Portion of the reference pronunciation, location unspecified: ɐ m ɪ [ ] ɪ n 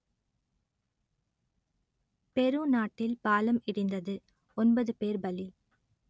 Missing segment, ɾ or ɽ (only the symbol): ɽ